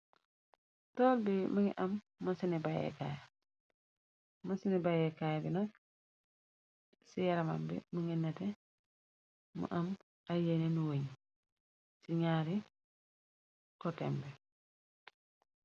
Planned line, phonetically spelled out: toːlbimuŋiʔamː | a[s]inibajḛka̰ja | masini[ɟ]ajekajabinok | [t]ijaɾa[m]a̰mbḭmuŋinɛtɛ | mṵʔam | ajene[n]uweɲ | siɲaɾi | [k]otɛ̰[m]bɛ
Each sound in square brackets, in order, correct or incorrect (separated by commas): correct, incorrect, incorrect, correct, correct, correct, correct